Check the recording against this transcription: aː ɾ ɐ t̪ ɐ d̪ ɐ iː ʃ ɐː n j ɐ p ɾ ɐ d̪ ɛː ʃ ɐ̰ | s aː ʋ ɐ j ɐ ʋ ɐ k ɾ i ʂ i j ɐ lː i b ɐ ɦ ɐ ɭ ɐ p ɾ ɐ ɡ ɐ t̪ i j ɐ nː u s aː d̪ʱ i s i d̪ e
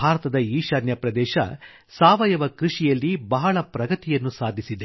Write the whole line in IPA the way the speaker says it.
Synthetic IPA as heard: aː ɾ ɐ t̪ ɐ d̪ ɐ iː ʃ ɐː n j ɐ p ɾ ɐ d̪ ɛː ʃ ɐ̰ | s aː ʋ ɐ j ɐ ʋ ɐ k ɾ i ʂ i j ɐ lː i b ɐ ɦ ɐ ɭ ɐ p ɾ ɐ ɡ ɐ t̪ i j ɐ nː u s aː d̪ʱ i s i d̪ e

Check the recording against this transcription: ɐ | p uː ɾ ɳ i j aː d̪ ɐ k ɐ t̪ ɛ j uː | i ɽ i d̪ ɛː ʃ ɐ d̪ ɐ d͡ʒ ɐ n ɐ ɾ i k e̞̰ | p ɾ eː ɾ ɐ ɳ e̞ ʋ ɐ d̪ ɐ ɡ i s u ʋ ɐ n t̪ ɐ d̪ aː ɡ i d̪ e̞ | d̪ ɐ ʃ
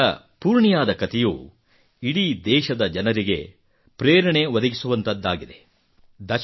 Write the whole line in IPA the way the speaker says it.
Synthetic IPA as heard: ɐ | p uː ɾ ɳ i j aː d̪ ɐ k ɐ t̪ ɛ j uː | i ɽ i d̪ ɛː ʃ ɐ d̪ ɐ d͡ʒ ɐ n ɐ ɾ i ɡ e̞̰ | p ɾ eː ɾ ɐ ɳ e̞ ʋ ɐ d̪ ɐ ɡ i s u ʋ ɐ n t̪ ɐ d̪ː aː ɡ i d̪ e̞ | d̪ ɐ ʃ

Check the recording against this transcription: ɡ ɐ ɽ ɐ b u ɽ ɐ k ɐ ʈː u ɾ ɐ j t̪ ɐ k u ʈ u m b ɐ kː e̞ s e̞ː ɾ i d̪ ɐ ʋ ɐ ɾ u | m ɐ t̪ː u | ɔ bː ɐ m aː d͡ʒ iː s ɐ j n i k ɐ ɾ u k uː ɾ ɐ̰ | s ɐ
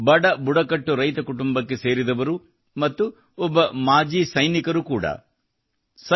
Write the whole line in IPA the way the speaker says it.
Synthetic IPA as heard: b ɐ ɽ ɐ b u ɽ ɐ k ɐ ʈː u ɾ ɐ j t̪ ɐ k u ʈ u m b ɐ kː e̞ s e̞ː ɾ i d̪ ɐ ʋ ɐ ɾ u | m ɐ t̪ː u | ɔ bː ɐ m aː d͡ʒ iː s ɐ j n i k ɐ ɾ u k uː ɽ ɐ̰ | s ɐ

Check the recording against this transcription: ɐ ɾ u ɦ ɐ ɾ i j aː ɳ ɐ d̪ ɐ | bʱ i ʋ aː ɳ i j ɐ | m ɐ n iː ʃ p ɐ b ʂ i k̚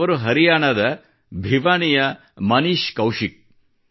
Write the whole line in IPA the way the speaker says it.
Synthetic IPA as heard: ɐ ɾ u ɦ ɐ ɾ i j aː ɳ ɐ d̪ ɐ | bʱ i ʋ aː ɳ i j ɐ | m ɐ n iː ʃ k ɐ w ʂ i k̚

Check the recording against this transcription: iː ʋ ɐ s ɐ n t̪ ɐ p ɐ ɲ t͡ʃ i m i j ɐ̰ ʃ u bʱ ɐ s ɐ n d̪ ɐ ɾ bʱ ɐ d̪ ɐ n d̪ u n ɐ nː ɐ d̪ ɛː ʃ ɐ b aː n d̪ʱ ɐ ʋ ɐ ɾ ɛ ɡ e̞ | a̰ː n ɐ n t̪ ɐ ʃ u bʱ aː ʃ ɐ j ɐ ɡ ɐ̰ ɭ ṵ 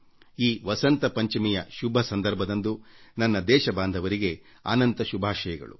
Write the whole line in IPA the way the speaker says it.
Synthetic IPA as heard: iː ʋ ɐ s ɐ n t̪ ɐ p ɐ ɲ t͡ʃ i m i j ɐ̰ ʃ u bʱ ɐ s ɐ n d̪ ɐ ɾ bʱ ɐ d̪ ɐ n d̪ u n ɐ nː ɐ d̪ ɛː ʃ ɐ b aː n d̪ʱ ɐ ʋ ɐ ɾ i ɡ e̞ | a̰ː n ɐ n t̪ ɐ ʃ u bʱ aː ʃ ɐ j ɐ ɡ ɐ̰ ɭ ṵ

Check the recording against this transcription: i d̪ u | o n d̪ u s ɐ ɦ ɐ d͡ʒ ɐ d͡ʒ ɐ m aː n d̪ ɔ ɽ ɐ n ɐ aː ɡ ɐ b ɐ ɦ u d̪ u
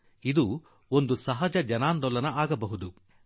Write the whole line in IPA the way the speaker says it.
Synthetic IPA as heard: i d̪ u | o n d̪ u s ɐ ɦ ɐ d͡ʒ ɐ d͡ʒ ɐ n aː n d̪ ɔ l ɐ n ɐ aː ɡ ɐ b ɐ ɦ u d̪ u

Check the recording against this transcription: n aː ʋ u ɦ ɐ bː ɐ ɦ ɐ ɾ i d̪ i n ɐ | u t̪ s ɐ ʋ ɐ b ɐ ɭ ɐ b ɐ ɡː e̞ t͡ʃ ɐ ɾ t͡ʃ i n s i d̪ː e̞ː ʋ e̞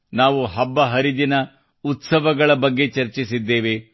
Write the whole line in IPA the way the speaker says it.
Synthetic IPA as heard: n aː ʋ u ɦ ɐ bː ɐ ɦ ɐ ɾ i d̪ i n ɐ | u t̪ s ɐ ʋ ɐ ɡ ɐ ɭ ɐ b ɐ ɡː e̞ t͡ʃ ɐ ɾ t͡ʃ i s i d̪ː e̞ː ʋ e̞

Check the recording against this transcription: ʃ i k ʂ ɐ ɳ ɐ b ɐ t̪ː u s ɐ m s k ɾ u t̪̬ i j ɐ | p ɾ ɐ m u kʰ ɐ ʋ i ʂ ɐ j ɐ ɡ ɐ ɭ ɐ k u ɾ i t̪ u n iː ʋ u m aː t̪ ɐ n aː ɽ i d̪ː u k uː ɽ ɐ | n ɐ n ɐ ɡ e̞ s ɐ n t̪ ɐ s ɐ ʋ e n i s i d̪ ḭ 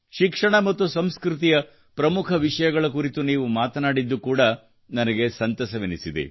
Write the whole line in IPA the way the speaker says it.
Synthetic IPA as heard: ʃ i k ʂ ɐ ɳ ɐ m ɐ t̪ː u s ɐ m s k ɾ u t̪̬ i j ɐ | p ɾ ɐ m u kʰ ɐ ʋ i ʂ ɐ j ɐ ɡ ɐ ɭ ɐ k u ɾ i t̪ u n iː ʋ u m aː t̪ ɐ n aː ɽ i d̪ː u k uː ɽ ɐ | n ɐ n ɐ ɡ e̞ s ɐ n t̪ ɐ s ɐ ʋ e n i s i d̪ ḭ

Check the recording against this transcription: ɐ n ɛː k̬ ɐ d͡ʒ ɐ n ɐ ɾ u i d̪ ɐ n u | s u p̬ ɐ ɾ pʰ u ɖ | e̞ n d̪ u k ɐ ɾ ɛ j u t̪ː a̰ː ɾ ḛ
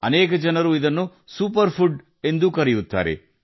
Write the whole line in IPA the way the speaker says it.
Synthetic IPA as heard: ɐ n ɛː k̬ ɐ d͡ʒ ɐ n ɐ ɾ u i d̪ ɐ nː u | s u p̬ ɐ ɾ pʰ u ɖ | e̞ n d̪ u k ɐ ɾ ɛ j u t̪ː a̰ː ɾ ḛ

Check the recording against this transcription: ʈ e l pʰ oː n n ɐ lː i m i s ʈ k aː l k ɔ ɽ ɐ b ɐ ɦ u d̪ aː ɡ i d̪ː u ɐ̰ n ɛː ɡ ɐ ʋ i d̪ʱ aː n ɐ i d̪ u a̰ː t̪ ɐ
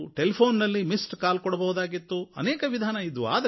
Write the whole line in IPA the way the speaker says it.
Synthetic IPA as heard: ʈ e l pʰ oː n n ɐ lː i m i s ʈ k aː l k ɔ ɽ ɐ b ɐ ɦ u d̪ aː ɡ i t̪ː u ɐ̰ n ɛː k ɐ ʋ i d̪ʱ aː n ɐ i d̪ u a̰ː d̪ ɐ

